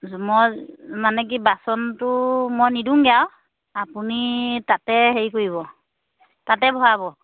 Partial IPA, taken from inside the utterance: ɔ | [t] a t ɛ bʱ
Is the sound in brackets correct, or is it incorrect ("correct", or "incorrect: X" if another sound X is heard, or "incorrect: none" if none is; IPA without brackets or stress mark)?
correct